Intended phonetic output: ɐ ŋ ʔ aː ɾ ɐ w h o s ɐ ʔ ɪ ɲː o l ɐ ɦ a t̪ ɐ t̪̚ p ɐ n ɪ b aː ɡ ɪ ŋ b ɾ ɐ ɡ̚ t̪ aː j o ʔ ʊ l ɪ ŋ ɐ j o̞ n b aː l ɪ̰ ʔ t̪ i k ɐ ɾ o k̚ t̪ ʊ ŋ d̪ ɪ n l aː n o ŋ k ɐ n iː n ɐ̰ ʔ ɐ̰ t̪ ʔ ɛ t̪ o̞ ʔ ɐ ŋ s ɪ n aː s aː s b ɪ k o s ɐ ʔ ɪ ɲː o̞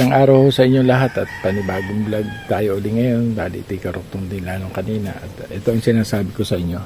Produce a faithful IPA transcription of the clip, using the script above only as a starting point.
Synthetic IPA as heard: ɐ ŋ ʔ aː ɾ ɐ w h o s ɐ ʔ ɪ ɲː o l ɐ ɦ a t̪ ɐ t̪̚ p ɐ n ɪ b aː ɡ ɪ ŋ b l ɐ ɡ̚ t̪ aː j o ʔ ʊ l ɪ ŋ ɐ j o̞ n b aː l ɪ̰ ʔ t̪ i k ɐ ɾ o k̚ t̪ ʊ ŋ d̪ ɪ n l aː n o ŋ k ɐ n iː n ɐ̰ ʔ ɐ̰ t̪ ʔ ɛ t̪ o̞ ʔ ɐ ŋ s ɪ n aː s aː b ɪ k o s ɐ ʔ ɪ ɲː o̞